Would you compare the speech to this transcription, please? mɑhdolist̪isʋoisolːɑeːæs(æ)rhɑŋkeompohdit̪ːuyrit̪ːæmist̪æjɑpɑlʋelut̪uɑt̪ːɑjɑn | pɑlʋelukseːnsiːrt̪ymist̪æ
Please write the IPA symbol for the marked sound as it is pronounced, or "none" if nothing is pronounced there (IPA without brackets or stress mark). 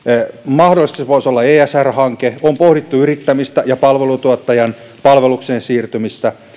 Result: æ